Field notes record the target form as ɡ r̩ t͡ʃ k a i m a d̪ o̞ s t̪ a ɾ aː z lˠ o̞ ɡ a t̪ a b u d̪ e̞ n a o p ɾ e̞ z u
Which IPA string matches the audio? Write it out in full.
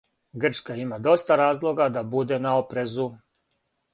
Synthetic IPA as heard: ɡ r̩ t͡ʃ k a i m a d̪ o̞ s t̪ a ɾ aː z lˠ o̞ ɡ a d̪ a b u d̪ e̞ n a o p ɾ e̞ z u